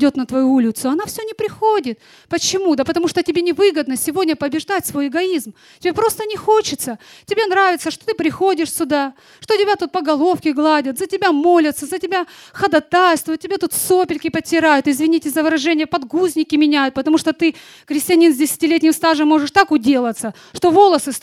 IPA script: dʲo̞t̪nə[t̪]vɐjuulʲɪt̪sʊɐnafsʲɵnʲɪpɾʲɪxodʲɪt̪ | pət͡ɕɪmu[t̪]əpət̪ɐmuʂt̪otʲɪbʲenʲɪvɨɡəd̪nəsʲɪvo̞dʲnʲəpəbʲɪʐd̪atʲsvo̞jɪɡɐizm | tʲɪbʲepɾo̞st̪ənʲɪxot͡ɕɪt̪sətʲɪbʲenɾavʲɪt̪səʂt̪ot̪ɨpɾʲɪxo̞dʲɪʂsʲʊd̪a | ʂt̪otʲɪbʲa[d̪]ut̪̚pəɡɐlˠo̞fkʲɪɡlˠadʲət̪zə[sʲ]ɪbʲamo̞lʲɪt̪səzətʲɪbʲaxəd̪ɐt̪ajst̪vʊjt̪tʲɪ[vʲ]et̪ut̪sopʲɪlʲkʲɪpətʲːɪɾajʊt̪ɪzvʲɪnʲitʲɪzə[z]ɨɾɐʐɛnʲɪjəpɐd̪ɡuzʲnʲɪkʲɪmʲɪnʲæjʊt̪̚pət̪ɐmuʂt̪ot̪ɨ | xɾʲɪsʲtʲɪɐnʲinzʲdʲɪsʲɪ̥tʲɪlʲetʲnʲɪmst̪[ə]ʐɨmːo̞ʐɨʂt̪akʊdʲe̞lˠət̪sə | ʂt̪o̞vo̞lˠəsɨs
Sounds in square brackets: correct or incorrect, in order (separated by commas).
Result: correct, incorrect, incorrect, incorrect, incorrect, incorrect, incorrect